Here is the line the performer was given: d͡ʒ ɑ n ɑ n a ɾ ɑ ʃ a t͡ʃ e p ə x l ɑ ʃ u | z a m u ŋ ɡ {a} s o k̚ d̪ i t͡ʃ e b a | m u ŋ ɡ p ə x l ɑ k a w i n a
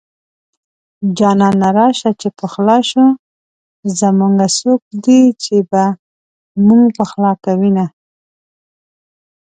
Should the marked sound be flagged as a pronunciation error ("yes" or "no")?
no